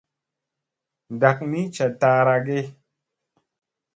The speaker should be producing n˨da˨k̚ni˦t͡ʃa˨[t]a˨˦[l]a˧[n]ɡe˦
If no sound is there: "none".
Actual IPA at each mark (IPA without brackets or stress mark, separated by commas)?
t, ɾ, none